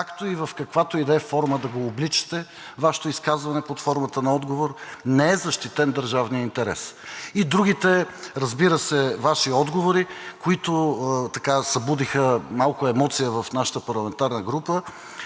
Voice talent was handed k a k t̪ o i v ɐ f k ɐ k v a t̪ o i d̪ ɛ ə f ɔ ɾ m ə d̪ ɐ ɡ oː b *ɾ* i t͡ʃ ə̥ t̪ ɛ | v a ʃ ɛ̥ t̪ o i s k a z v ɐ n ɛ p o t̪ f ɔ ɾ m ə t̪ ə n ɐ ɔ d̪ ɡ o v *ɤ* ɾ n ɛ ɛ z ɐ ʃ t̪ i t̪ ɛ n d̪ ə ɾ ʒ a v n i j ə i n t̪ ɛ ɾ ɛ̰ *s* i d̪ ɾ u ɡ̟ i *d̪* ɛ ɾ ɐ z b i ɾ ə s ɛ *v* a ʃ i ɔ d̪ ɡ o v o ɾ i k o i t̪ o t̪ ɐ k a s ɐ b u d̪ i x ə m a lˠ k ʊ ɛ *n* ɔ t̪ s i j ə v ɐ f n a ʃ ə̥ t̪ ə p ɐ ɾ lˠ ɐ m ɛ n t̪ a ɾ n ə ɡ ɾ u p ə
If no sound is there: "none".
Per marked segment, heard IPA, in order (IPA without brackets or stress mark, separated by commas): l, o, s, t̪, v, m